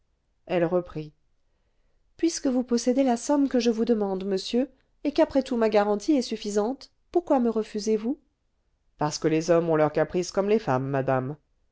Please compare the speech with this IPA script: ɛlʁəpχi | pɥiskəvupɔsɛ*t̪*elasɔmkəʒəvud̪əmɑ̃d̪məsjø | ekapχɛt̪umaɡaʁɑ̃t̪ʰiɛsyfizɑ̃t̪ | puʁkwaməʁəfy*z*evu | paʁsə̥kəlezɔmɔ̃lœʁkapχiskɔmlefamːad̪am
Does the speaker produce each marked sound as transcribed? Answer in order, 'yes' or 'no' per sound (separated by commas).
no, yes